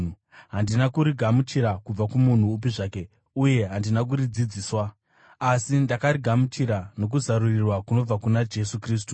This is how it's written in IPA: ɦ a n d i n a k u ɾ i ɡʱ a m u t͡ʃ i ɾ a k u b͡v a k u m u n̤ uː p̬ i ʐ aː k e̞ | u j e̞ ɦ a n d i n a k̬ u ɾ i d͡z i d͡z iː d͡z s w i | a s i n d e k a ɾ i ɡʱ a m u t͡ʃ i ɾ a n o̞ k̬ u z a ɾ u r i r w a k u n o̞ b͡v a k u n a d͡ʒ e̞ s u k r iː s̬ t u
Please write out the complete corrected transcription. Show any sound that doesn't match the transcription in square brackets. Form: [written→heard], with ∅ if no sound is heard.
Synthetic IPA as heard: ɦ a n d i n a k u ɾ i ɡʱ a m u t͡ʃ i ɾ a k u b͡v a k u m u n̤ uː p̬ i ʐ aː k e̞ | u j e̞ ɦ a n d i n a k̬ u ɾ i d͡z i d͡z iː [d͡z→∅] s w [i→a] | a s i n d [e→a] k a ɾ i ɡʱ a m u t͡ʃ i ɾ a n o̞ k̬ u z a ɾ u r i r w a k u n o̞ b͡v a k u n a d͡ʒ e̞ s u k r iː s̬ t u

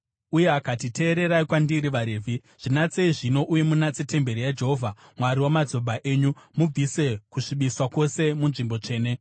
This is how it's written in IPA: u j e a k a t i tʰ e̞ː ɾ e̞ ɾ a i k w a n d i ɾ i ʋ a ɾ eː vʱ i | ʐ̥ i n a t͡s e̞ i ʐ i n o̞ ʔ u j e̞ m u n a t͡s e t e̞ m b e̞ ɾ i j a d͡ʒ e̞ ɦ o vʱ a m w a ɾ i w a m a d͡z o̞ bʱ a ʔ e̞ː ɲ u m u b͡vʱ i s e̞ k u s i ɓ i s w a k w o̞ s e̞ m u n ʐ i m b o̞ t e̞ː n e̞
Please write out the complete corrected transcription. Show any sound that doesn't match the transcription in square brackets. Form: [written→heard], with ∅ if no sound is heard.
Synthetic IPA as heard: u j e a k a t i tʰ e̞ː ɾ e̞ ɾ a i k w a n d i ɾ i ʋ a ɾ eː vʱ i | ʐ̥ i n a t͡s e̞ i ʐ i n o̞ ʔ u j e̞ m u n a t͡s e t e̞ m b e̞ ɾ i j a d͡ʒ e̞ ɦ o vʱ a m w a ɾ i w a m a d͡z o̞ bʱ a ʔ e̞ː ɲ u m u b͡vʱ i s e̞ k u [s→ʂ] i ɓ i s w a k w o̞ s e̞ m u n ʐ i m b o̞ [t→t͡ʂ] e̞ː n e̞

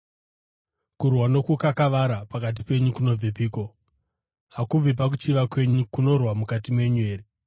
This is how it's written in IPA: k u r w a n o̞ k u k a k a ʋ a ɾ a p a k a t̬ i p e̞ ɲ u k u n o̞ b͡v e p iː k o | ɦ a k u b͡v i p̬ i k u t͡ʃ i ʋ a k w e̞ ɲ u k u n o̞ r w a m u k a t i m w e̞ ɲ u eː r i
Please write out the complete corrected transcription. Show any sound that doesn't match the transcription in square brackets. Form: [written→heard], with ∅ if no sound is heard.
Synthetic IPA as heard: k u r w a n o̞ k u k a k a ʋ a ɾ a p a k a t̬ i p e̞ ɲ u k u n o̞ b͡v e p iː k o | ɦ a k u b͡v i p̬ [i→a] k u t͡ʃ i ʋ a k w e̞ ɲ u k u n o̞ r w a m u k a t i m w e̞ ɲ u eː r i

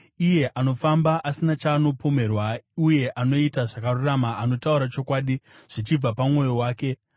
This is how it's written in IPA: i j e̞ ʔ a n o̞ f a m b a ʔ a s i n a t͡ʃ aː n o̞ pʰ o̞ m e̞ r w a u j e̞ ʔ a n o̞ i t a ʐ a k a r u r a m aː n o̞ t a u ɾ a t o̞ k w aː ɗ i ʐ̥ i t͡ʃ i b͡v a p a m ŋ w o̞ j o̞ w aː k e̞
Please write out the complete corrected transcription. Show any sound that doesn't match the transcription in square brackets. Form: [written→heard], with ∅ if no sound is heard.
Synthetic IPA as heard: i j e̞ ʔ a n o̞ f a m b a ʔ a s i n a t͡ʃ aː n o̞ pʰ o̞ m e̞ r w a u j e̞ ʔ a n o̞ i t a ʐ a k a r u r a m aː n o̞ t a u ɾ a [t→t͡ʃ] o̞ k w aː ɗ i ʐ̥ i t͡ʃ i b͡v a p a m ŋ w o̞ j o̞ w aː k e̞

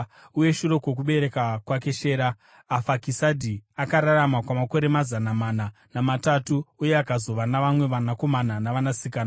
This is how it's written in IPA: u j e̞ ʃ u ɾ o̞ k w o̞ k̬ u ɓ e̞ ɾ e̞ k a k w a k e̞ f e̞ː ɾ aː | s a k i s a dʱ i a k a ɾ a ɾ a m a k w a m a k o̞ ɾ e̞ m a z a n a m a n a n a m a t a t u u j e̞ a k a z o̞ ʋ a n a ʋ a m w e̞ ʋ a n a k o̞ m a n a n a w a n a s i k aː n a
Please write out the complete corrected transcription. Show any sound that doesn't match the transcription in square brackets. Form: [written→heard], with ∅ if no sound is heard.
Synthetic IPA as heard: u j e̞ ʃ u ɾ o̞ k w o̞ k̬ u ɓ e̞ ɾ e̞ k a k w a k e̞ [f→ʃ] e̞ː ɾ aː | [s→f] a k i s a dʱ i a k a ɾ a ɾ a m a k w a m a k o̞ ɾ e̞ m a z a n a m a n a n a m a t a t u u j e̞ a k a z o̞ ʋ a n a ʋ a m w e̞ ʋ a n a k o̞ m a n a n a [w→ʋ] a n a s i k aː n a

